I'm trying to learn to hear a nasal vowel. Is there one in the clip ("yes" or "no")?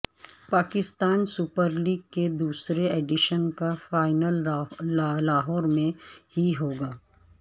yes